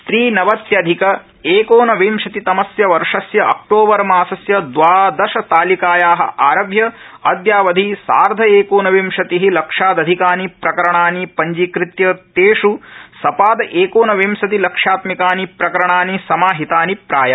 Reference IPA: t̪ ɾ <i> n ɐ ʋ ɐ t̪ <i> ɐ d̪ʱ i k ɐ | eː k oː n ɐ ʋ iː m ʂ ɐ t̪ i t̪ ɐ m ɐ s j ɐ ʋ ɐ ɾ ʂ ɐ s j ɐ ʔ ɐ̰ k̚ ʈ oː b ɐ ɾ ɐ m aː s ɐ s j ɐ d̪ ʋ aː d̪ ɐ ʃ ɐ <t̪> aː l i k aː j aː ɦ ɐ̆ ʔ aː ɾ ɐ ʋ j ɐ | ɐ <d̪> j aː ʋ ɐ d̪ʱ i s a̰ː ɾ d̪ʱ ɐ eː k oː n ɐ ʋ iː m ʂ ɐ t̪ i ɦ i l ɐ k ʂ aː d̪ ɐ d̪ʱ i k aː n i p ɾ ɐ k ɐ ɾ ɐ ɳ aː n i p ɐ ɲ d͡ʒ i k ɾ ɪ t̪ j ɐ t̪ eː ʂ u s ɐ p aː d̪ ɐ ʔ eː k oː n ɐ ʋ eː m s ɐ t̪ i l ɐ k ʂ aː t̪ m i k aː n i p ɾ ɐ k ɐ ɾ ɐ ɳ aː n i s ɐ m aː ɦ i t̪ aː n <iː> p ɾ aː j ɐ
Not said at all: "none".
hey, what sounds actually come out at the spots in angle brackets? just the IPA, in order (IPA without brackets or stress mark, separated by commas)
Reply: iː, j, t̪, d̪, i